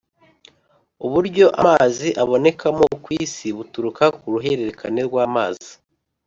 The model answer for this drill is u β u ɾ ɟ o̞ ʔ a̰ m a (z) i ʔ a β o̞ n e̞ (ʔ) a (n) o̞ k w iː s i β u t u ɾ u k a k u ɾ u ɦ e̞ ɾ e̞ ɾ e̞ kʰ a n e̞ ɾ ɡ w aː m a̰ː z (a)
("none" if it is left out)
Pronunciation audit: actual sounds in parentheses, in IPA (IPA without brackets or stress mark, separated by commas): z, k, m, i